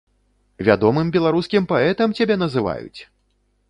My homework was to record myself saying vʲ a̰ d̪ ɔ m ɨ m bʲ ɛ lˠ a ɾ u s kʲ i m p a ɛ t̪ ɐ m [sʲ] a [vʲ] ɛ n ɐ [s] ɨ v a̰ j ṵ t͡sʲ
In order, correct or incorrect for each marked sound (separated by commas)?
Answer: incorrect, incorrect, incorrect